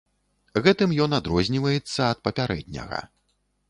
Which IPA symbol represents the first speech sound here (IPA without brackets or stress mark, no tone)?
ɣ